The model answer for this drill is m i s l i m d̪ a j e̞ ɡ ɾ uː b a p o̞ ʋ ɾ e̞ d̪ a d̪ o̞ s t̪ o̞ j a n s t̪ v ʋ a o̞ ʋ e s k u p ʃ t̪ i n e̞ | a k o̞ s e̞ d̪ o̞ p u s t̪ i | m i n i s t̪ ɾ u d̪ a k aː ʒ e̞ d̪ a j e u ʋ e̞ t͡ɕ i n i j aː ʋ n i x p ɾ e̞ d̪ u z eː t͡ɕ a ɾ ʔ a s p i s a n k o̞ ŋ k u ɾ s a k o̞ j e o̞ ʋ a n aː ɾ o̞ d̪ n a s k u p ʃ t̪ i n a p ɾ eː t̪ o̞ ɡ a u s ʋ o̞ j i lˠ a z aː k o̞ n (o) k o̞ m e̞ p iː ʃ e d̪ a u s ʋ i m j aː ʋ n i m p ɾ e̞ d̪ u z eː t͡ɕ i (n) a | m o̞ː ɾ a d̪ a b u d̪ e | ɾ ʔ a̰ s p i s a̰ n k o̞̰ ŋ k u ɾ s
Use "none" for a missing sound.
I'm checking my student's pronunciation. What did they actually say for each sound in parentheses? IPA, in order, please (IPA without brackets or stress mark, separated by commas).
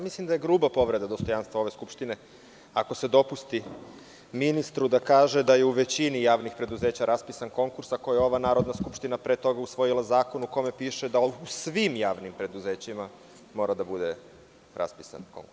u, m